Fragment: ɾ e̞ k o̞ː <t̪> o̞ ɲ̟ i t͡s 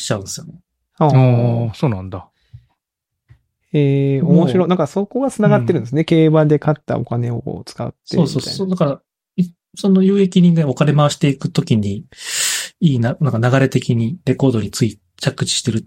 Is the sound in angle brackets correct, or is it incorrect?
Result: incorrect